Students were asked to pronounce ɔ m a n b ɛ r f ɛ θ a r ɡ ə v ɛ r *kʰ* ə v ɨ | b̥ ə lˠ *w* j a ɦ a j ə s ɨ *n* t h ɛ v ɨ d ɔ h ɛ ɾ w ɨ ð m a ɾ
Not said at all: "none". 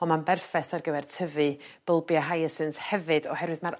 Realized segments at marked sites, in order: tʰ, b, n

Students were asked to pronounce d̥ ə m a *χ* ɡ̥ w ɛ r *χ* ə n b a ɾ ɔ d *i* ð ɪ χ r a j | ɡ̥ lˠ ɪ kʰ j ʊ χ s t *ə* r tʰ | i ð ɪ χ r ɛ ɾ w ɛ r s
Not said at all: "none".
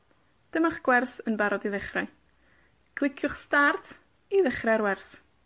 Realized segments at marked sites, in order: χ, s, i, a

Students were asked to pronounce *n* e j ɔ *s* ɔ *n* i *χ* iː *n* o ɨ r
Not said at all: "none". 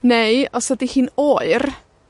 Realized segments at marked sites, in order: n, s, d, h, n

